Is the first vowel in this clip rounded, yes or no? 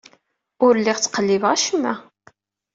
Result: yes